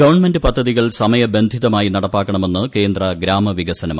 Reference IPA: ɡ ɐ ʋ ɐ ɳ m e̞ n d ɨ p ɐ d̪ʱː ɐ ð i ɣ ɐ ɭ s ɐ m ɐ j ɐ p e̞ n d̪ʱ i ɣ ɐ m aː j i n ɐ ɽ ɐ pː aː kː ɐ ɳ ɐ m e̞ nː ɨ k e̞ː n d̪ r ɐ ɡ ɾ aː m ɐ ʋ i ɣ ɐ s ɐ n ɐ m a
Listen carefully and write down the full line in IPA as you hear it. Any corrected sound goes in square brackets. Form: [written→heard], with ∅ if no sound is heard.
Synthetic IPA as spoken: ɡ ɐ ʋ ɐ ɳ m e̞ n d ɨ p ɐ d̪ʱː ɐ ð i ɣ ɐ ɭ s ɐ m ɐ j ɐ [p→b] e̞ n d̪ʱ i [ɣ→ð] ɐ m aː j i n ɐ ɽ ɐ pː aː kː ɐ ɳ ɐ m e̞ nː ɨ k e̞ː n d̪ r ɐ ɡ ɾ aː m ɐ ʋ i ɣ ɐ s ɐ n ɐ m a